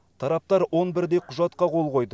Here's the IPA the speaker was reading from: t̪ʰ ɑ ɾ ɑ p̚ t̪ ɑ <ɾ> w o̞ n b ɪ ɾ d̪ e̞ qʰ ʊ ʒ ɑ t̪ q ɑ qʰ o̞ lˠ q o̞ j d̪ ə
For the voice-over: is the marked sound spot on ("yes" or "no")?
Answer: yes